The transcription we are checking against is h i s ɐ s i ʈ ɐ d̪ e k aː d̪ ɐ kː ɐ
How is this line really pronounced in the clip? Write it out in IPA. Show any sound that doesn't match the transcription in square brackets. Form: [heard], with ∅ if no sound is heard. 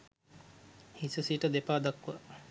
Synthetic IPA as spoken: h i s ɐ s i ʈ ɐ d̪ e [p] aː d̪ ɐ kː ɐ